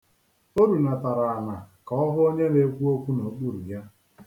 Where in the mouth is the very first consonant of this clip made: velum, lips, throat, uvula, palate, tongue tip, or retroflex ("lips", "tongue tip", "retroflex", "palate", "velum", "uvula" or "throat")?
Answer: tongue tip